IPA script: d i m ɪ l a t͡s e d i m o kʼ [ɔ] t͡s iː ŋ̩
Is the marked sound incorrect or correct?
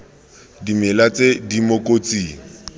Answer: incorrect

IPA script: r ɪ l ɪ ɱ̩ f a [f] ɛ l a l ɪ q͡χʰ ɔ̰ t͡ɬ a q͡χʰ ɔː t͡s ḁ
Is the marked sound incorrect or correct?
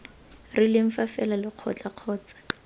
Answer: correct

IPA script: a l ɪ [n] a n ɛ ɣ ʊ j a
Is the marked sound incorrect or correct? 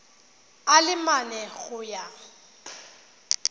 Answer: incorrect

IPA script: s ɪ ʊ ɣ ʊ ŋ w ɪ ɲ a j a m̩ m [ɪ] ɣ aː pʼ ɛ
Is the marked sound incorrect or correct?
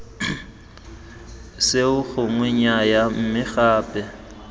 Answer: correct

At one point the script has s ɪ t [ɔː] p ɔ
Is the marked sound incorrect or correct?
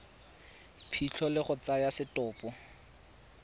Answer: correct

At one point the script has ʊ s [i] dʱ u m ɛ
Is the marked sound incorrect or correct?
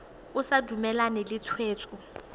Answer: incorrect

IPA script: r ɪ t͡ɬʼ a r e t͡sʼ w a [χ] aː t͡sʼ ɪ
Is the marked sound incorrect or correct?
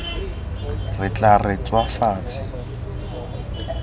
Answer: incorrect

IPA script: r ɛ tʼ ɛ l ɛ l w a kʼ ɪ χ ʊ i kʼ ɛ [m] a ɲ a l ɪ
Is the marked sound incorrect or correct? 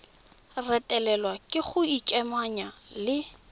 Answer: correct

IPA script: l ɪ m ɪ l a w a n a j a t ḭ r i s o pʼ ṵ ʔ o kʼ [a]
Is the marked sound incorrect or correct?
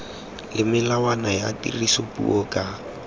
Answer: correct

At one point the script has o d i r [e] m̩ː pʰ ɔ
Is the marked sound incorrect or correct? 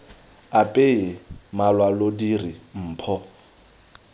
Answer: incorrect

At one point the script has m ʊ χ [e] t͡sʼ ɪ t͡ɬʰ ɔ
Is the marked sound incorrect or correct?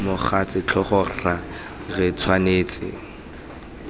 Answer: incorrect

